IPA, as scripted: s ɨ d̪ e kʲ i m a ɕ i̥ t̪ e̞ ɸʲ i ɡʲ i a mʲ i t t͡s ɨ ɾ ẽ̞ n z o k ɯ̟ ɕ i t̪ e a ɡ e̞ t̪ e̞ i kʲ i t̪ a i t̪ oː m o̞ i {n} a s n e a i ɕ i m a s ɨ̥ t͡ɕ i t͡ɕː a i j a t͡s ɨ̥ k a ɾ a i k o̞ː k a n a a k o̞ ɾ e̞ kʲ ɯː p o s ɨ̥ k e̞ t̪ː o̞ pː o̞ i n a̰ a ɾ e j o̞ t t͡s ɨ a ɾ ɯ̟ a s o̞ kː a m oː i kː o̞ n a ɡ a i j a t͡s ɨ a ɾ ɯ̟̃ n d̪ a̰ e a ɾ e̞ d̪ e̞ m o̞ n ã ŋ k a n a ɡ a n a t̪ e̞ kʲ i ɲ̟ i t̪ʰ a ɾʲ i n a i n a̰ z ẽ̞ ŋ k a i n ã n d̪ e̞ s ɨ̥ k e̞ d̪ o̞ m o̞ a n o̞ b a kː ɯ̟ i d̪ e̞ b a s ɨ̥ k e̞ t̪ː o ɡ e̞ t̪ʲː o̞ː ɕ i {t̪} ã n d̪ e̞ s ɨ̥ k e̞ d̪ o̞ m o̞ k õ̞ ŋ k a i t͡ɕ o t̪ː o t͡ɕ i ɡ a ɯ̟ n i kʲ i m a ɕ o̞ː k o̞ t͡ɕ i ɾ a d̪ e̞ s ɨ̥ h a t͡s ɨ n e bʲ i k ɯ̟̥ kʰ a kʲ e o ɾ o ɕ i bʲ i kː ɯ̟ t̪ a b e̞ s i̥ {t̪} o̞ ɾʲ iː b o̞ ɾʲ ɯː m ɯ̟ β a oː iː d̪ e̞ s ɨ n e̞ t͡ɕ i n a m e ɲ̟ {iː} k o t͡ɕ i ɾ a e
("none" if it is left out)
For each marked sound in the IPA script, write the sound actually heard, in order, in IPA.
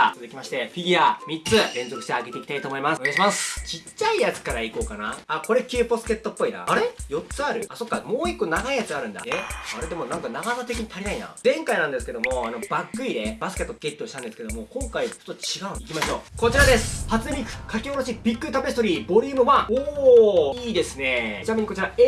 m, t̪, t̪, i

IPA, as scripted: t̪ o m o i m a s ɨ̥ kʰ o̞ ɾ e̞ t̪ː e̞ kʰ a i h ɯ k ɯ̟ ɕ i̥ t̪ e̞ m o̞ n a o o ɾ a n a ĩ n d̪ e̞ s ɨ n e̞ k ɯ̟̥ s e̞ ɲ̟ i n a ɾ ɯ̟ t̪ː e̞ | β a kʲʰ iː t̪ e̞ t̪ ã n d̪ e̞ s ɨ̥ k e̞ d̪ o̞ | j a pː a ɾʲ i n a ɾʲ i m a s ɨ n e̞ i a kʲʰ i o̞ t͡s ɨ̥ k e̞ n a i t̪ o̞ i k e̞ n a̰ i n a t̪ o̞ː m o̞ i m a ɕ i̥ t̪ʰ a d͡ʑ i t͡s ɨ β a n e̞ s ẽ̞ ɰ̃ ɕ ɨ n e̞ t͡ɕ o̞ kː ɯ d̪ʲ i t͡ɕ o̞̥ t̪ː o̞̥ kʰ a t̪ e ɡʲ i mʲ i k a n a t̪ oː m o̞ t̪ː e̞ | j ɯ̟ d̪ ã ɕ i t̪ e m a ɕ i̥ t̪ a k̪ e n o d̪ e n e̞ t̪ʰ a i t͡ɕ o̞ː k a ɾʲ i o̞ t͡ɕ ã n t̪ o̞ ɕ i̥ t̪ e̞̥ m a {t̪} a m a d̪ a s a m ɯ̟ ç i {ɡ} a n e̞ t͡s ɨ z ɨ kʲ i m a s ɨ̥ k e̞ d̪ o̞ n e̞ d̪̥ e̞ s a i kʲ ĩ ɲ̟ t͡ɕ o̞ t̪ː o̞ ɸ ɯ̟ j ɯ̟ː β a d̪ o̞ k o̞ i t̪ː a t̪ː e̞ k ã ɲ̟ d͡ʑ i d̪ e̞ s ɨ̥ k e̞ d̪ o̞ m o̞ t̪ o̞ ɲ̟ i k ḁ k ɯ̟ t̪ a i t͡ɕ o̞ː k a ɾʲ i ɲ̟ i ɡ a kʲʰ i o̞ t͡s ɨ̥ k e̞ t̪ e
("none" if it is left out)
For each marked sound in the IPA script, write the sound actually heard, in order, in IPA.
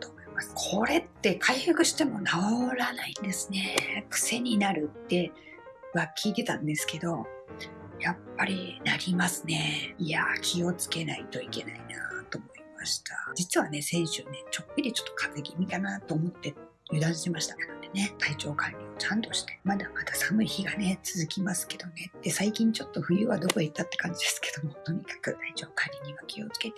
d̪, ɡ

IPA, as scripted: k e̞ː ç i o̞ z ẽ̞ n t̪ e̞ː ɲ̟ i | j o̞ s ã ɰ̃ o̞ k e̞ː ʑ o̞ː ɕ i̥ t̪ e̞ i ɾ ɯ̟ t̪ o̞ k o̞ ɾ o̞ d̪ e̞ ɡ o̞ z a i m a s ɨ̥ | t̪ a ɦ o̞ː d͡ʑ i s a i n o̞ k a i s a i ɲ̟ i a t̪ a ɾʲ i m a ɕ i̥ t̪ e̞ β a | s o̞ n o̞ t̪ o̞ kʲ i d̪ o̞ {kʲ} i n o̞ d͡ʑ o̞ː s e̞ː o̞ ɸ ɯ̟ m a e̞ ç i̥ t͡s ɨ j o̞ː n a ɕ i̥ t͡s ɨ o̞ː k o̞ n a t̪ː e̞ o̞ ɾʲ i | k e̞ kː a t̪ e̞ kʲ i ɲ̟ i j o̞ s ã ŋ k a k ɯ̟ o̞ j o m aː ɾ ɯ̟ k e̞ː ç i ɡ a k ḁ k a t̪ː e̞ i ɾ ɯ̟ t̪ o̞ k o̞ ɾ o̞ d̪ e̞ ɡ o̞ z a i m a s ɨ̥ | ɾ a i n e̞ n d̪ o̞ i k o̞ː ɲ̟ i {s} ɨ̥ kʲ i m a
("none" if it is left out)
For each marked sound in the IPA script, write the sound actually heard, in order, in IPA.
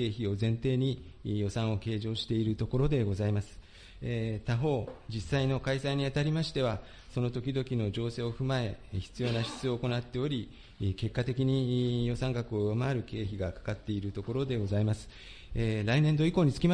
kʲ, t͡s

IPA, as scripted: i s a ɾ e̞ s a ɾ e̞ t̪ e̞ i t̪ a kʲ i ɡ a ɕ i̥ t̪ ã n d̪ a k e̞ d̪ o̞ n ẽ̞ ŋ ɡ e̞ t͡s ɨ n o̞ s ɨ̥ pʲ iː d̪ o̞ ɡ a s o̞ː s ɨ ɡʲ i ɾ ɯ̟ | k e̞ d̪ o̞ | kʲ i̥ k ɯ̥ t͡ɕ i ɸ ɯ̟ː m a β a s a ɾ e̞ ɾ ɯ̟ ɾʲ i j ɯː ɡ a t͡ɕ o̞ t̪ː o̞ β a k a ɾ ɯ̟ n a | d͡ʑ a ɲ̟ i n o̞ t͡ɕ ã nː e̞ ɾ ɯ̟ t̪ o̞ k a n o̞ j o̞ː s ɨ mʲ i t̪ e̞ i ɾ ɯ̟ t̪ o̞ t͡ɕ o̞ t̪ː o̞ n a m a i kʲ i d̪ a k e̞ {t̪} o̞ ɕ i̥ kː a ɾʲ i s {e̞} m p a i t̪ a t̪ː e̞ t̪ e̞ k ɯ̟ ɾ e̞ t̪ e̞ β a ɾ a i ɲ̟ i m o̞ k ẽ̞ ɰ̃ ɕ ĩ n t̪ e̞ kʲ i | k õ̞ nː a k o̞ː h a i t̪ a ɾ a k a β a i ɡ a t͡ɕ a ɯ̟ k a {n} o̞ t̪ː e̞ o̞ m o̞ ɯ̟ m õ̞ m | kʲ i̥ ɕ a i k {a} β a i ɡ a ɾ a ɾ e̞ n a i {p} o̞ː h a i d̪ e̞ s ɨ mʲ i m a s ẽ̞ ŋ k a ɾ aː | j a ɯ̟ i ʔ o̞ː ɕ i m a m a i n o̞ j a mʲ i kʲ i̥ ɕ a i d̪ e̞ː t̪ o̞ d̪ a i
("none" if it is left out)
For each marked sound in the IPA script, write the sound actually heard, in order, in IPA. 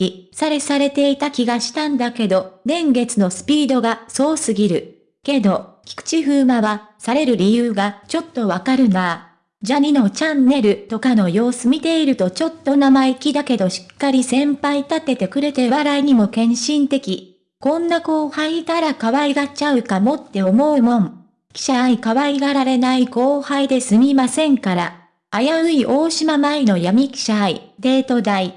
d̪, ẽ̞, m, a, k

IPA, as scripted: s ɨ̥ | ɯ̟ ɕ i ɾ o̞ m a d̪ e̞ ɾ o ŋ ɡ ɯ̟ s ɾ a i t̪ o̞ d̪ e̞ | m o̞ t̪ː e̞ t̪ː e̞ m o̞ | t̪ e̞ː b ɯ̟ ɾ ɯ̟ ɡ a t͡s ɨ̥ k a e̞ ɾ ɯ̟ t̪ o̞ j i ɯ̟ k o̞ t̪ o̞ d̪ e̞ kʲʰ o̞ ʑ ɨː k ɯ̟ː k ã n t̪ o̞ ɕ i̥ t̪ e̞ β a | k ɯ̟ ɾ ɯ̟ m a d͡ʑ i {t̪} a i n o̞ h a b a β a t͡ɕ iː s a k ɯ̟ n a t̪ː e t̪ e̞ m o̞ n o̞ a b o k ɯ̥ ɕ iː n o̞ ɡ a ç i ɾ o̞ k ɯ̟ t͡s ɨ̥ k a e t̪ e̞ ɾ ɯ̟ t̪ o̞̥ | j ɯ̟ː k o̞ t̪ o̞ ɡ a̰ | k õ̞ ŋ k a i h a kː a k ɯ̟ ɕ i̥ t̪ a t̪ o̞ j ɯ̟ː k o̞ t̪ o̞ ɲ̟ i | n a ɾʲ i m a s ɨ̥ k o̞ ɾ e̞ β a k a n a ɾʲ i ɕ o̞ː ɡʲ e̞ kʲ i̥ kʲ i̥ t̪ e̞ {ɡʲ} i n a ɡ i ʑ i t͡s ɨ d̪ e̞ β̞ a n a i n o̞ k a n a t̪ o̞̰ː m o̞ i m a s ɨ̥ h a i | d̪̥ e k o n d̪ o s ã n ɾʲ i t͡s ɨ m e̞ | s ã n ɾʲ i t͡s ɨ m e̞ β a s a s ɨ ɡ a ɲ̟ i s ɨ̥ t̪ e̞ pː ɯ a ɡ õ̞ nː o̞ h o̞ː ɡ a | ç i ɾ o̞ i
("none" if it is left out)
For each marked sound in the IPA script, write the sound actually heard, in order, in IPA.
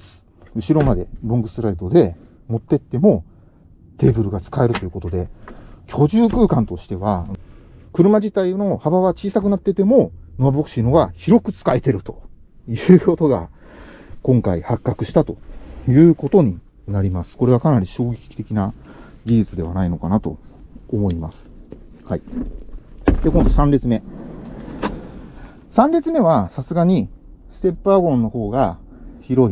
t̪, kʲ

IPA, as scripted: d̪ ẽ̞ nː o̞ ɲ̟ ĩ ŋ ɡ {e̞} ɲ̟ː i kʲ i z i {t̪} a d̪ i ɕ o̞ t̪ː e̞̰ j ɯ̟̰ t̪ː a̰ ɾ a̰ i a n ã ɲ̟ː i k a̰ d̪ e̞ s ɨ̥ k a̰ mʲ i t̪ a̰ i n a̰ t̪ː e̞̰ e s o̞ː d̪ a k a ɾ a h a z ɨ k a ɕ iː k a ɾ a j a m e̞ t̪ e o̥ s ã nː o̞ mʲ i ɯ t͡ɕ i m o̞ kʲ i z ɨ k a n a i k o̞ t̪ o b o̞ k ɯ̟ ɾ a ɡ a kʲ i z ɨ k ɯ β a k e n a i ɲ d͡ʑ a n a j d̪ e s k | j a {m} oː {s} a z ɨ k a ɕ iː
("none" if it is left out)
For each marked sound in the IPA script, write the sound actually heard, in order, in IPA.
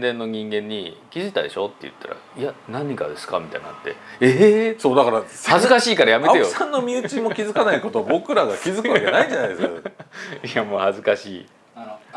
ẽ̞, t̪, m, h

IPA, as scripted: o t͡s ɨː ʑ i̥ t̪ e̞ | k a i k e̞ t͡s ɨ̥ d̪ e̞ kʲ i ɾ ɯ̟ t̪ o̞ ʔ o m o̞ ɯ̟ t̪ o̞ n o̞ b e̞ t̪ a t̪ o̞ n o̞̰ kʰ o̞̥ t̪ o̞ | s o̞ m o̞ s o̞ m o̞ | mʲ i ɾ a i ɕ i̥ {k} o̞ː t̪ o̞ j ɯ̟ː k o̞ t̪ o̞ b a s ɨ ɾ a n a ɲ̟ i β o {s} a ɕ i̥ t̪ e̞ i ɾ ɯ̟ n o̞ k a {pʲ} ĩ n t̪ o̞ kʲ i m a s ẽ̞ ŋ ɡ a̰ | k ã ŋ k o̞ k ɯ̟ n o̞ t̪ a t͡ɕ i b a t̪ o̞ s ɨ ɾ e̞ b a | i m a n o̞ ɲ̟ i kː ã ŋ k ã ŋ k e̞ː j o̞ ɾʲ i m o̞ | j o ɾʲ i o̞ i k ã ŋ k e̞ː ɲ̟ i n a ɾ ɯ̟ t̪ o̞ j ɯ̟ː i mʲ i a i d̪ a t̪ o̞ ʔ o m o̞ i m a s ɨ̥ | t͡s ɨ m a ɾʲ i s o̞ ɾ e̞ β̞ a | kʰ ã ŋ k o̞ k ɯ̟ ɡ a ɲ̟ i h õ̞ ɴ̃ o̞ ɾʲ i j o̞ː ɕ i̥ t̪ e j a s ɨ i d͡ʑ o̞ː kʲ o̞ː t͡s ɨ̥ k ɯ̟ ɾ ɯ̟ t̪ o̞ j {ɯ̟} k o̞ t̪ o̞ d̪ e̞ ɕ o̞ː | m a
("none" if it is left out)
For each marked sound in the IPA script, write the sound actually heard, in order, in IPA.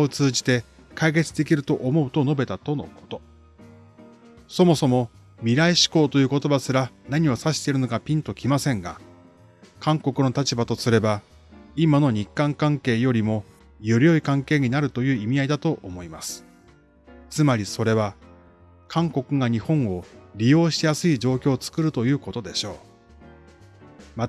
k, s, pʲ, ɯ̟ː

